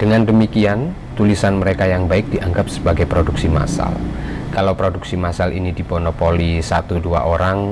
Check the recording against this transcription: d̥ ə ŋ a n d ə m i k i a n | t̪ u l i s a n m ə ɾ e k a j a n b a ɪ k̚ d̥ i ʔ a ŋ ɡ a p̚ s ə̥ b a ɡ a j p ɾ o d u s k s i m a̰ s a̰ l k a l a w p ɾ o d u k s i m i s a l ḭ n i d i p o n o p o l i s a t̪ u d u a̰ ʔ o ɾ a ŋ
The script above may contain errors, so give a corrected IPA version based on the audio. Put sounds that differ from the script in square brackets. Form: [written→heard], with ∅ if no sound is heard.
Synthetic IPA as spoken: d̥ ə ŋ a n d ə m i k i a n | t̪ u l i s a n m ə ɾ e k a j a [n→ŋ] b a ɪ k̚ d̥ i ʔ a ŋ ɡ a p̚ s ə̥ b a ɡ a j p ɾ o d u [s→∅] k s i m a̰ s a̰ l k a l a w p ɾ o d u k s i m [i→a] s a l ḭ n i d i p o n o p o l i s a t̪ u d u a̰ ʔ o ɾ a ŋ